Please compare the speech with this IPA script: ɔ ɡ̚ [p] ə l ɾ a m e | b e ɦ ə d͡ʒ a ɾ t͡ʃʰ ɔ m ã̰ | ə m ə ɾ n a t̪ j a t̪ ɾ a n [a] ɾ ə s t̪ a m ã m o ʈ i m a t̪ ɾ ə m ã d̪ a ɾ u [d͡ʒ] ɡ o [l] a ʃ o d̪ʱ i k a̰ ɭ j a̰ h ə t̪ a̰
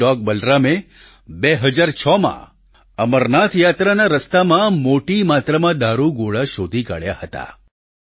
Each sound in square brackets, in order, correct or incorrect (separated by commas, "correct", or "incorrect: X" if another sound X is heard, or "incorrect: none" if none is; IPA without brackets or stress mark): incorrect: b, correct, incorrect: none, incorrect: ɭ